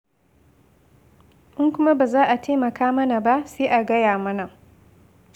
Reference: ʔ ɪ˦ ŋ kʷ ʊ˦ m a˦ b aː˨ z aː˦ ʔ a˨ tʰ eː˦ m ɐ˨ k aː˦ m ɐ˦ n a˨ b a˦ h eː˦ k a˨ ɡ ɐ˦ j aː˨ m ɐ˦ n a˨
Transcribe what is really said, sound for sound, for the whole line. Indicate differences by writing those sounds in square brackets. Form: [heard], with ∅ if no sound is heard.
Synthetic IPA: ʔ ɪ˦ ŋ kʷ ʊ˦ m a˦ b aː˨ z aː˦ ʔ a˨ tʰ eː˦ m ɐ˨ k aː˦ m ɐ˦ n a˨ b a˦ [s] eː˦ [ʔ] a˨ ɡ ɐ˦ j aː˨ m ɐ˦ n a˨